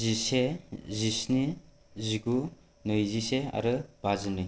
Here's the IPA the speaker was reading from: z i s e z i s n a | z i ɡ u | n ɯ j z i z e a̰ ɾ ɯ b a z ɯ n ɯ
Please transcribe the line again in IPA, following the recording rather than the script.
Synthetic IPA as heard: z i s e z i s n i | z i ɡ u | n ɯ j z i s e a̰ ɾ ɯ b a z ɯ n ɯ